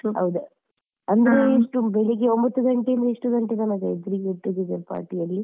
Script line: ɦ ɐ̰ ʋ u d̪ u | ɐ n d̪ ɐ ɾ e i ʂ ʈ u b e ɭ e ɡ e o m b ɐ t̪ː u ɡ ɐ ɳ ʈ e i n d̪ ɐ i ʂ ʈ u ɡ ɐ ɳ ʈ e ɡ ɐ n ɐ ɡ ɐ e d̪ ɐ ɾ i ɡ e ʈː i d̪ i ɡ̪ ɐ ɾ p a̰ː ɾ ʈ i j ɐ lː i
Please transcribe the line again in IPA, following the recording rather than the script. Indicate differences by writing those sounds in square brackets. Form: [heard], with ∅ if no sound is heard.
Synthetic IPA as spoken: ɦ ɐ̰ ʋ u d̪ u | ɐ n d̪ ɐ ɾ e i ʂ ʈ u b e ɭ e ɡ e o m b ɐ t̪ː u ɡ ɐ ɳ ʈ e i n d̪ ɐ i ʂ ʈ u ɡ ɐ ɳ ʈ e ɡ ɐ n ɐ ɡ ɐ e d̪ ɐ ɾ i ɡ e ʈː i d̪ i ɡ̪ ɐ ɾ p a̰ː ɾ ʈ i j ɐ lː i